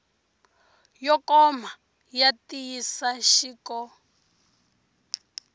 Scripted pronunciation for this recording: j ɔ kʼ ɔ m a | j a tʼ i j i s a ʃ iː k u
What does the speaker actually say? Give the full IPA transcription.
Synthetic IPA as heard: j ɔ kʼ ɔ m a | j a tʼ i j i s a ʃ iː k ɔ